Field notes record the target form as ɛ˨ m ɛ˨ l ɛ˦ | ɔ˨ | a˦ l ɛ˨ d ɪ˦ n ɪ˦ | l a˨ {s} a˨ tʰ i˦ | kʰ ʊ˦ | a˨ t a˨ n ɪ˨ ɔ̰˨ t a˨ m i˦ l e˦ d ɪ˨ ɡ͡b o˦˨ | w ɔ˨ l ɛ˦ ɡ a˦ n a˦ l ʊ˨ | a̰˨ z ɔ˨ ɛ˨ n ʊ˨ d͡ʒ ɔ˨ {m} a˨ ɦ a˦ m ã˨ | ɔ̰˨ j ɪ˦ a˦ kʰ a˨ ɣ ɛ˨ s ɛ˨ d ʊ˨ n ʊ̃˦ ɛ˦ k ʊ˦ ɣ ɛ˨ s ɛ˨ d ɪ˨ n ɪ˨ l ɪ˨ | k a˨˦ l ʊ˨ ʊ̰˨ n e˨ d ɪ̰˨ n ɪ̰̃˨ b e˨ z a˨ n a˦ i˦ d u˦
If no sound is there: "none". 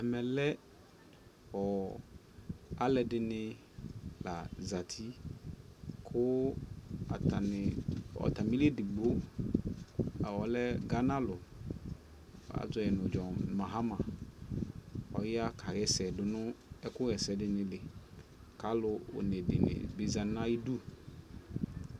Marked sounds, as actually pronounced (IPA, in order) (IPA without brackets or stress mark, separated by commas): z, m